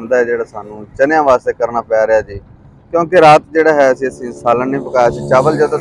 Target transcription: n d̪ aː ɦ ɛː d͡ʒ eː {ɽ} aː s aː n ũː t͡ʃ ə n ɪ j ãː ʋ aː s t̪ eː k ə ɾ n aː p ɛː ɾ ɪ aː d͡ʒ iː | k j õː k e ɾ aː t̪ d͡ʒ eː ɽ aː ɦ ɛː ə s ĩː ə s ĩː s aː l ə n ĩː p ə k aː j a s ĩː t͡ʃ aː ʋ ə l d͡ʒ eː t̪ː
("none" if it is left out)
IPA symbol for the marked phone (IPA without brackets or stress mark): ɽ